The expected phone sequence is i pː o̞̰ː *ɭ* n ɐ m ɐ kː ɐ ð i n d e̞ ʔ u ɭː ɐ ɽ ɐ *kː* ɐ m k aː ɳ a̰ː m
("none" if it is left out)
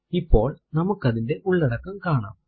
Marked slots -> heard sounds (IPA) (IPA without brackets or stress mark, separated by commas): ɭ, kː